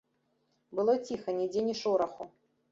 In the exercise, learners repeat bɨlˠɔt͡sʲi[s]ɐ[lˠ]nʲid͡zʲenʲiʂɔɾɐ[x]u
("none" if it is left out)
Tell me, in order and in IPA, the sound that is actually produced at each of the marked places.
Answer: x, none, x

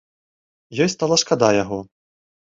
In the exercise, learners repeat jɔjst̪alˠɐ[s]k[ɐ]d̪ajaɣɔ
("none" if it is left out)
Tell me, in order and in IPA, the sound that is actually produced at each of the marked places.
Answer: ʂ, a

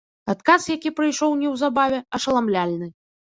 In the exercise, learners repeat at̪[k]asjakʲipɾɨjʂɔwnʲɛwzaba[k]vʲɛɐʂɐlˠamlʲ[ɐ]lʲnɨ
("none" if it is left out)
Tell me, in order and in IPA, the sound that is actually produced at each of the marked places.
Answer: k, none, a

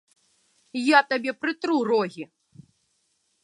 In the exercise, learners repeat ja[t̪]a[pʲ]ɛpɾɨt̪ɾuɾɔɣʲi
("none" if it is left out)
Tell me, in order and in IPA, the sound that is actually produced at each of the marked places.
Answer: t̪, bʲ

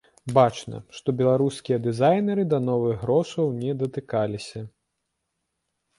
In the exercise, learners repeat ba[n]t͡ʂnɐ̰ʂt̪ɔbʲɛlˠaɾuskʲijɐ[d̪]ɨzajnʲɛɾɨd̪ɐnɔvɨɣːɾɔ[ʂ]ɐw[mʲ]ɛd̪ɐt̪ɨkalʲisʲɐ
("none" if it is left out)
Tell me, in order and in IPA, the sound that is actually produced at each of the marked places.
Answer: none, d̪, ʂ, nʲ

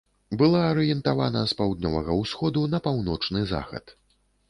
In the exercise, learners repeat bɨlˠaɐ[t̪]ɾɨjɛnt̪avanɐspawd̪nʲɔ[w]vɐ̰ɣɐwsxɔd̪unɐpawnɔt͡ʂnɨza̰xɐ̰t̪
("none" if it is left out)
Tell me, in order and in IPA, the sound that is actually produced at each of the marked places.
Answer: none, none

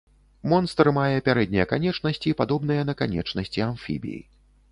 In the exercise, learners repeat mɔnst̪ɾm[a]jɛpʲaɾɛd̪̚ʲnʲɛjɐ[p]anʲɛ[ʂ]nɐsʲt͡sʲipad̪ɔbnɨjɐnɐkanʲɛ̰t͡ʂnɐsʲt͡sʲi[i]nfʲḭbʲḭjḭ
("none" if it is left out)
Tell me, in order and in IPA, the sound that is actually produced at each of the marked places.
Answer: a, k, t͡ʂ, a

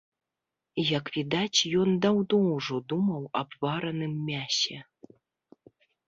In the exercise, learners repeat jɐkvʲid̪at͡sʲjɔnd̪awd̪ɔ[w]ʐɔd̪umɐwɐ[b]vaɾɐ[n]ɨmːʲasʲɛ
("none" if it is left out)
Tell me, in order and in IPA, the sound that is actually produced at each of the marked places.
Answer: w, b, n

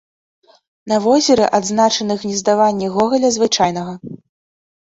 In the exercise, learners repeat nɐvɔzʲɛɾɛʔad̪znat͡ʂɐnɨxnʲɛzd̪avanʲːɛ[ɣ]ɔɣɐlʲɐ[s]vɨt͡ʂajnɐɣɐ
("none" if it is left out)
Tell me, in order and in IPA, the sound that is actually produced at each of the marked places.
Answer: ɣ, z

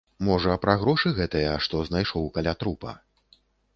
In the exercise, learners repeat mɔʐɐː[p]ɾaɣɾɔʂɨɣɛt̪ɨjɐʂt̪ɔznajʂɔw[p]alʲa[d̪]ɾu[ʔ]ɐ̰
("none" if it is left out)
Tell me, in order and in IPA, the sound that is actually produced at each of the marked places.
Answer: p, k, t̪, p

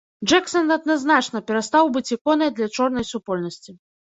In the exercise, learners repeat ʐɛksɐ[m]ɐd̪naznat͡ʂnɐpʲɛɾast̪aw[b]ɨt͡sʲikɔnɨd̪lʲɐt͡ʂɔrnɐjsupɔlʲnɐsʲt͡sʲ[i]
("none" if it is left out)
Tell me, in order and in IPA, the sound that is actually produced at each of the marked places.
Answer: n, b, i

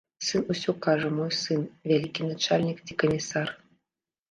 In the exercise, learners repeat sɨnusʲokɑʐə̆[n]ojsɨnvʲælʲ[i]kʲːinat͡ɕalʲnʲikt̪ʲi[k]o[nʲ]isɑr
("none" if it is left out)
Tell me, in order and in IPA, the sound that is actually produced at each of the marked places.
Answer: m, i, k, mʲ

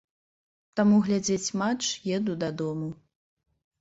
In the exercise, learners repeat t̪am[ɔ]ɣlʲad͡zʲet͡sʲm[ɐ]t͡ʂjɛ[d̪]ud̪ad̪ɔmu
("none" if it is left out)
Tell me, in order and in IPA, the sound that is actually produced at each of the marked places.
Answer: u, a, d̪

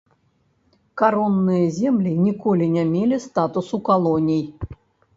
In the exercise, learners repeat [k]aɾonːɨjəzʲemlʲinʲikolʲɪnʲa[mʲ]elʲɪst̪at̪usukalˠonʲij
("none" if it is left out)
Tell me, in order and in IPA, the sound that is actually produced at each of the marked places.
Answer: k, mʲ

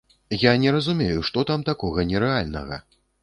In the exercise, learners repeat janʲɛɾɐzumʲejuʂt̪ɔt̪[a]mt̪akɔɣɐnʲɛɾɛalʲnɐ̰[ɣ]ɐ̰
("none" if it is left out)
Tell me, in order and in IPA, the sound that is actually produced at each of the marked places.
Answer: a, ɣ

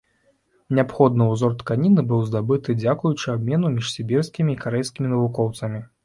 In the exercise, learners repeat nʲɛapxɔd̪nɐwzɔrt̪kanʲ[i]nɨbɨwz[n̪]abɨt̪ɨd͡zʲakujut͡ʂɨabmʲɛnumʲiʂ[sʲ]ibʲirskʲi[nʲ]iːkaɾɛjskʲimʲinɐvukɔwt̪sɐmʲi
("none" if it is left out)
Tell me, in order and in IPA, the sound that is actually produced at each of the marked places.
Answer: i, d̪, sʲ, mʲ

